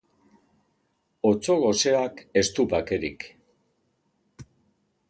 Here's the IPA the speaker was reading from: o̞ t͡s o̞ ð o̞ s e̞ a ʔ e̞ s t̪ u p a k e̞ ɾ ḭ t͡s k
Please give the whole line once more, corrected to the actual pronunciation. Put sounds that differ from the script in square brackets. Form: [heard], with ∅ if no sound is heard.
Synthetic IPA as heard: o̞ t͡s o̞ [ɣ] o̞ s e̞ a [k] e̞ s t̪ u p a k e̞ ɾ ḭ [∅] k